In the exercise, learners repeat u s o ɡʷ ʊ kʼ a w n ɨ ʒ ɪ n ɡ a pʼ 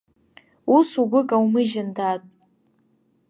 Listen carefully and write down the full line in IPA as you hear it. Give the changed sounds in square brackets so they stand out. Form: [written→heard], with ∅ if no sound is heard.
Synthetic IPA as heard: u s [o→u] ɡʷ ʊ kʼ a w [n→m] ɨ ʒ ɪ n [ɡ→d] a [pʼ→tʼ]